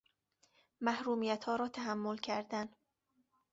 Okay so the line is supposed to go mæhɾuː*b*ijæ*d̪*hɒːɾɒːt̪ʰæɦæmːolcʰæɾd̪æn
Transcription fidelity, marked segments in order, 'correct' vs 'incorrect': incorrect: m, incorrect: t̪

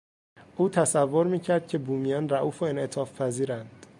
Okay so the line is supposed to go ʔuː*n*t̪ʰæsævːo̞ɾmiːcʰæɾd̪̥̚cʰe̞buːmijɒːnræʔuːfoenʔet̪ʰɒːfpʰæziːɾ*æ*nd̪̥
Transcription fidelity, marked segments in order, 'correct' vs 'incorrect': incorrect: none, correct

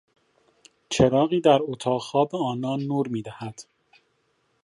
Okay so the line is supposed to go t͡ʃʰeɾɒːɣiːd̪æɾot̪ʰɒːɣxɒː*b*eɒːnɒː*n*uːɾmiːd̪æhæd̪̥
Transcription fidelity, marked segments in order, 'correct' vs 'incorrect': correct, incorrect: nː

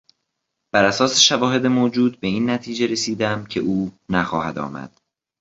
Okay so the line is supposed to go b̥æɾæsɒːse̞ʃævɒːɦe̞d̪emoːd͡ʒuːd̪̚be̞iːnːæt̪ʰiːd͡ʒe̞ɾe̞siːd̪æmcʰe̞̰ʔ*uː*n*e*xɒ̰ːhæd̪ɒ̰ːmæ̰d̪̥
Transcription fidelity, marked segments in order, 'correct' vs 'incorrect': correct, incorrect: æ

